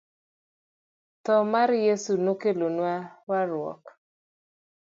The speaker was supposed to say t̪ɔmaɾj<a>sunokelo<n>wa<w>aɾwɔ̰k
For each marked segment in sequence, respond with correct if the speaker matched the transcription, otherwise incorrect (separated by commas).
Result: incorrect, correct, correct